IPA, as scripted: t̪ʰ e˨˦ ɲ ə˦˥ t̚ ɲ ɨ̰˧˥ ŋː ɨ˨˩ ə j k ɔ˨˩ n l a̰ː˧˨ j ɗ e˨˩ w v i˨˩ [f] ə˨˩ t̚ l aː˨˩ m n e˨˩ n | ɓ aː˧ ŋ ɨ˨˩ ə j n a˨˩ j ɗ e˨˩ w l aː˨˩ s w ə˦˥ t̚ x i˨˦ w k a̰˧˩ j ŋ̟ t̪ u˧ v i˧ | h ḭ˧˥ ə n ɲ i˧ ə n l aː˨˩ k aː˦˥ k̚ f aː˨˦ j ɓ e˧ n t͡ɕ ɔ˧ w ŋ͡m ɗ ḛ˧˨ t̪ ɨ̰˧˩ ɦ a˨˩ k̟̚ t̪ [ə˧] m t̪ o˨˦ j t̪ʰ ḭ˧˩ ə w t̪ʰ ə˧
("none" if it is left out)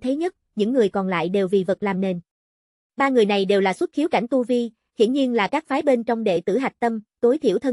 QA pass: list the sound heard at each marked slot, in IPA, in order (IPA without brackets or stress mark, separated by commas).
v, ə˧